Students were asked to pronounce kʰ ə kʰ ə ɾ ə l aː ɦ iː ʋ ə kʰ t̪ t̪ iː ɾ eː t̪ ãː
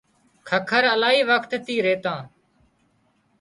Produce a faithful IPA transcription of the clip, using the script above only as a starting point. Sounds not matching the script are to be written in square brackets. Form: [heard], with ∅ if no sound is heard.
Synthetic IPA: kʰ ə kʰ ə ɾ ə l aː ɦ iː ʋ ə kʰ t̪ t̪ iː ɾ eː t̪ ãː